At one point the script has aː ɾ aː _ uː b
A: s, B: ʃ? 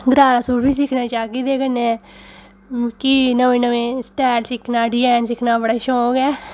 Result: A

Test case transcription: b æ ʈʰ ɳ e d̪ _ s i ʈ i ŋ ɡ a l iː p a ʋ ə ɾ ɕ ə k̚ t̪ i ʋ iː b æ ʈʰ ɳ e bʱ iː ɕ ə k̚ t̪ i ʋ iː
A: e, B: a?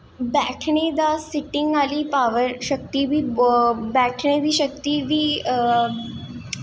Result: B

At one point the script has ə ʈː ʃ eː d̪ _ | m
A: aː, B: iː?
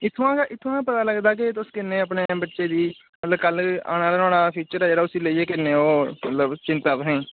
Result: B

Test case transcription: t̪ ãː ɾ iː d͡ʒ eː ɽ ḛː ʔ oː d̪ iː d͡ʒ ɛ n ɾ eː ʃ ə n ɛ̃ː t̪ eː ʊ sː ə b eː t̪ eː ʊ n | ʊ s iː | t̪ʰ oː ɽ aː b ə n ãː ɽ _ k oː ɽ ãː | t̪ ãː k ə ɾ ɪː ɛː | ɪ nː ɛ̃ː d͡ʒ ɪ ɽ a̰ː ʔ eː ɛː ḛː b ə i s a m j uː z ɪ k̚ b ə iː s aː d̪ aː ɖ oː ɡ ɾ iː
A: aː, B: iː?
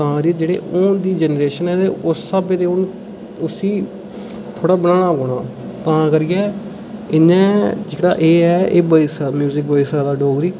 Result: A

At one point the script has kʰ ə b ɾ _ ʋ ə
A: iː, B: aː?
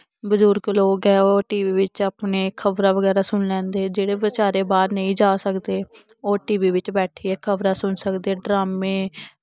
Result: B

